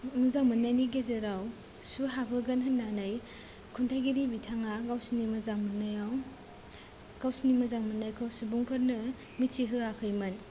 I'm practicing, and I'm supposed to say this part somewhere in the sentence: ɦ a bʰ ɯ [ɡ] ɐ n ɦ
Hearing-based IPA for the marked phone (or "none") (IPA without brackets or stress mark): ɡ